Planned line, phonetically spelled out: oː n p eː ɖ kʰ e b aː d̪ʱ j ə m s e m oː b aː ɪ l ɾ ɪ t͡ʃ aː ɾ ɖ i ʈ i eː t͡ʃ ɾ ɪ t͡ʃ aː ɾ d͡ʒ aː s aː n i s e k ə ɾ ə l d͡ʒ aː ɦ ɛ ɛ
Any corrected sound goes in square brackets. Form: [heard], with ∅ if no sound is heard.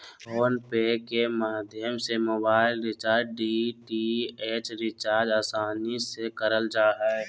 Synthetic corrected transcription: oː n p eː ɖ [k] e [m] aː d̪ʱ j ə m s e m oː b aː ɪ l ɾ ɪ t͡ʃ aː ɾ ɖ i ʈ i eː t͡ʃ ɾ ɪ t͡ʃ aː ɾ d͡ʒ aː s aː n i s e k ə ɾ ə l d͡ʒ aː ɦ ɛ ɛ